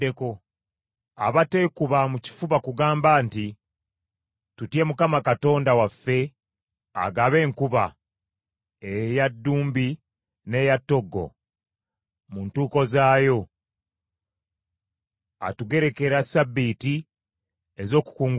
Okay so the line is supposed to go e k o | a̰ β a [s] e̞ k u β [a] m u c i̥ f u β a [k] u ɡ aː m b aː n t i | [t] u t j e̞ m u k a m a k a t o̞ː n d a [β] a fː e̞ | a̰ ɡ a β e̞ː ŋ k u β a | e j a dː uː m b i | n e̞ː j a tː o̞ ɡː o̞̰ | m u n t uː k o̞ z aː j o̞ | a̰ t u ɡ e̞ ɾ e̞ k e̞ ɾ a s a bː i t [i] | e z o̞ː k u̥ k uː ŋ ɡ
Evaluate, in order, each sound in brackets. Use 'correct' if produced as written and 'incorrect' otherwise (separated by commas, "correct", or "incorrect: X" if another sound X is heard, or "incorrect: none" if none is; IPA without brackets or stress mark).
incorrect: t, correct, correct, correct, incorrect: w, correct